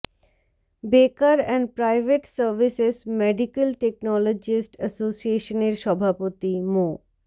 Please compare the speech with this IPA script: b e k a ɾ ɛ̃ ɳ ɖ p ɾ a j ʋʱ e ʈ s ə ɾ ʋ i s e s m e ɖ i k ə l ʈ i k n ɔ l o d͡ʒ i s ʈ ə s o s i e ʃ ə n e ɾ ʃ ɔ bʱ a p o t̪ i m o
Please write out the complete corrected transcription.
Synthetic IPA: b e k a ɾ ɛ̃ ɳ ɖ p ɾ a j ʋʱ e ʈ s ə ɾ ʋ i s e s m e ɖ i k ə l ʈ e k n ɔ l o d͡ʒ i s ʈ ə s o s i e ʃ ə n e ɾ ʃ ɔ bʱ a p o t̪ i m o